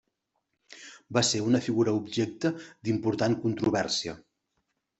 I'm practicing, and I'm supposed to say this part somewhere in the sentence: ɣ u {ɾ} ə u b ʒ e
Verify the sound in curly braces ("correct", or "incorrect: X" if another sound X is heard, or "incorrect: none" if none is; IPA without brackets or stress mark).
correct